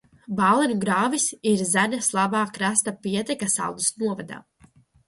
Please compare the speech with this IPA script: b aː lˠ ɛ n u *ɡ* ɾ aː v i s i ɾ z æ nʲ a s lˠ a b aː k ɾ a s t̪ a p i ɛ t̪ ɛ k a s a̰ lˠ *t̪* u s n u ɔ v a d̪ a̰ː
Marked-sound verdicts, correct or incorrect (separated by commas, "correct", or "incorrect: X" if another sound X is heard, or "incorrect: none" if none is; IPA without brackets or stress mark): correct, incorrect: d̪